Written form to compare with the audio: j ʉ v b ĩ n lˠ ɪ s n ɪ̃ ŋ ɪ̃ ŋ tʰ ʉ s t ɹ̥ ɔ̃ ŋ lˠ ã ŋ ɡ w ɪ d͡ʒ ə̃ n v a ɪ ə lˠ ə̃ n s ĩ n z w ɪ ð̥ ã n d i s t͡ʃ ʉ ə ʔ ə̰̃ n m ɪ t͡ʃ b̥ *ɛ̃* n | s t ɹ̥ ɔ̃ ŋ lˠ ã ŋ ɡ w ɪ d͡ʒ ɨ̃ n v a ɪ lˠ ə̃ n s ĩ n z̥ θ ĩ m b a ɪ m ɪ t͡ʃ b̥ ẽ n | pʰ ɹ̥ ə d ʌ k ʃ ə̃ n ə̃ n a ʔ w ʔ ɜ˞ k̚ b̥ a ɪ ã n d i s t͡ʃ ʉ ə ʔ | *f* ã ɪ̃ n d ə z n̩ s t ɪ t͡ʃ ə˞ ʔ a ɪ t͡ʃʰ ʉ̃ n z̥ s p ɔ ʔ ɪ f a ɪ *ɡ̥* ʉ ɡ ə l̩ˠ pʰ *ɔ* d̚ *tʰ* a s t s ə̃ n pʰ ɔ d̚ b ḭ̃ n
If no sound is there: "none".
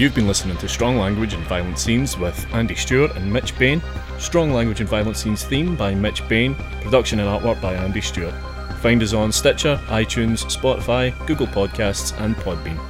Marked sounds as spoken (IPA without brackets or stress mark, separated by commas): ẽ, f, ɡ̥, ɔ, kʰ